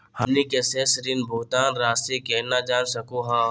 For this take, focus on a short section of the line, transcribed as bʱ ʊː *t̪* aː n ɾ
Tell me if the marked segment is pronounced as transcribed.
yes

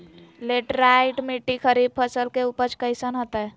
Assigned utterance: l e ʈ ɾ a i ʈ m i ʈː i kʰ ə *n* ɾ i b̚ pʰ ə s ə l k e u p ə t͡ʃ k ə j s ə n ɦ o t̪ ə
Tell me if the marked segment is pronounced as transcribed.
no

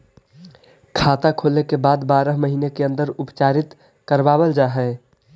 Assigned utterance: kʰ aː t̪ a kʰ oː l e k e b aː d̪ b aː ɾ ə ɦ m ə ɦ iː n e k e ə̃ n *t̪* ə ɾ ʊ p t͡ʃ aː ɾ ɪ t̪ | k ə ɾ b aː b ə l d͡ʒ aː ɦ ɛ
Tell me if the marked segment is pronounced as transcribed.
no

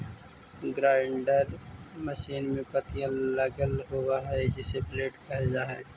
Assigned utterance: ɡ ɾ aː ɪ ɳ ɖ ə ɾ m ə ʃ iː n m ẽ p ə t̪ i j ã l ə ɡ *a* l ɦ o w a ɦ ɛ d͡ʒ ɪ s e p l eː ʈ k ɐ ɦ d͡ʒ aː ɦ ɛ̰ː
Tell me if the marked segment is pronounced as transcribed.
no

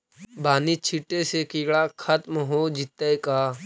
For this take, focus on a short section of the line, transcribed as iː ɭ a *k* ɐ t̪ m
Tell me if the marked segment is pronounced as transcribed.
no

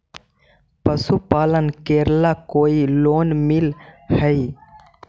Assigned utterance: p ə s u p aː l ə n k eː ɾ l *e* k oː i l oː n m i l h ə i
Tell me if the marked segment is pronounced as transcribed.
no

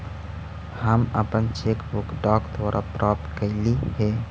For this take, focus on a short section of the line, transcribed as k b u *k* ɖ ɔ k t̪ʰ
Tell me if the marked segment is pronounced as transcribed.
yes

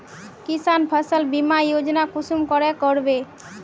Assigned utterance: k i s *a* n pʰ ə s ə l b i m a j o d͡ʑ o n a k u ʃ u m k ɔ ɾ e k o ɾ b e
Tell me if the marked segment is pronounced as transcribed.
yes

